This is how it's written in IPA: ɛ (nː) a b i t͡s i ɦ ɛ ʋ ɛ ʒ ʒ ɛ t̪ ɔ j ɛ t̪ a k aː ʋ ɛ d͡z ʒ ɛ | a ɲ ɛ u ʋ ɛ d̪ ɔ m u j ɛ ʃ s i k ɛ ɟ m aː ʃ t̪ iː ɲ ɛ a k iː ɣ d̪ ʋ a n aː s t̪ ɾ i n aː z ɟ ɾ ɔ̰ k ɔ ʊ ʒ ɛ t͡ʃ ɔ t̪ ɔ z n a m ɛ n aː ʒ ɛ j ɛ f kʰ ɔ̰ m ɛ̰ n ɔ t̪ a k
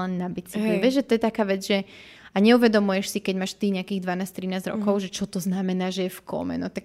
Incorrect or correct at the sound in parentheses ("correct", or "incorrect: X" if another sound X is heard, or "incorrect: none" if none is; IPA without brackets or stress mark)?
correct